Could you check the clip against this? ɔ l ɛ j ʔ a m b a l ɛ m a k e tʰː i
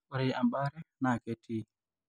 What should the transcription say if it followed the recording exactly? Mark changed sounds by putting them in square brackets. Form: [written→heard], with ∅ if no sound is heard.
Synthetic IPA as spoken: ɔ [l→ɾ] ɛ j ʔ a m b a [l→ɾ] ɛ [m→n] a k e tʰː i

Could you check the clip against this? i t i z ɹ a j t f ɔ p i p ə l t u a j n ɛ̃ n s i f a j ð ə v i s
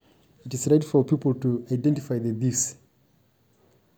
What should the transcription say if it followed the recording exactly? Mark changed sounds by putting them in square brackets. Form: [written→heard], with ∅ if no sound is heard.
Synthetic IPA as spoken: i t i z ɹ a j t f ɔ p i p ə l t u a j [n→d] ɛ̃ n [s→t] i f a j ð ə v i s

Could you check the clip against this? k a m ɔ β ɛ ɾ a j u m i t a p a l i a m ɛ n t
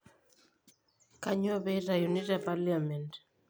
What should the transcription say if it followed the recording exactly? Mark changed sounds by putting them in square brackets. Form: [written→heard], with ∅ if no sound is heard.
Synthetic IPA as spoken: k a [m→ɲ] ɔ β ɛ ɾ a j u [m→n] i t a p a l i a m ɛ n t

